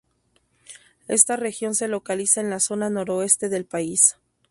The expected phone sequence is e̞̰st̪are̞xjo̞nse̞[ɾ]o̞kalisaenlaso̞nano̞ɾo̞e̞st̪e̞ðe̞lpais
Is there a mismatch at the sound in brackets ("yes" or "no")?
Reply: yes